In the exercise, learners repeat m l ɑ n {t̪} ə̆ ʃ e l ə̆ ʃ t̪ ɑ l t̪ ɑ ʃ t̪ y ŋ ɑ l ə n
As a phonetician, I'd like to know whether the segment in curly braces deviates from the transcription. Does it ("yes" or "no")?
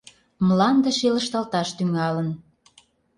yes